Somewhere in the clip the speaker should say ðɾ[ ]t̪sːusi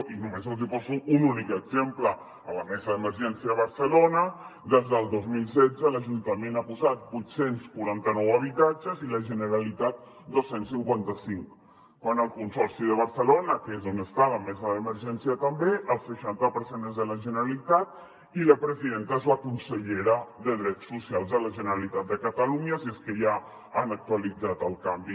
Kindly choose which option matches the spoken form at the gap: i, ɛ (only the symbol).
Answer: ɛ